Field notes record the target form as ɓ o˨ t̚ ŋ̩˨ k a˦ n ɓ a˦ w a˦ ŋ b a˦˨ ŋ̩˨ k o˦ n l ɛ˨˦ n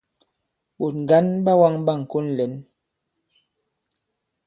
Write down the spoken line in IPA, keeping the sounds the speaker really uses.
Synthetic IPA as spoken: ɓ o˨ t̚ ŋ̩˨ ɡ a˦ n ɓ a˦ w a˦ ŋ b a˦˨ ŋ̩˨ k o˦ n l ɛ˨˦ n